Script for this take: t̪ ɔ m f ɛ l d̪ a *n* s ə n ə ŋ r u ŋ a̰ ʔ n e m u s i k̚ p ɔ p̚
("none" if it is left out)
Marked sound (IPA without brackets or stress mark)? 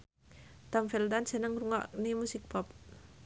n